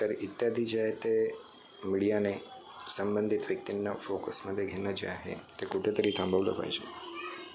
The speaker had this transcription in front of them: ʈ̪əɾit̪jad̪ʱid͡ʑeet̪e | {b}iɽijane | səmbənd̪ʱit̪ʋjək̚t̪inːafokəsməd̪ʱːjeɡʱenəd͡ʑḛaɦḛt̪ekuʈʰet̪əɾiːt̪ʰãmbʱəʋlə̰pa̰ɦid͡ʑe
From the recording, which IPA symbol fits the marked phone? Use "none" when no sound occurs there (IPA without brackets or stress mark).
m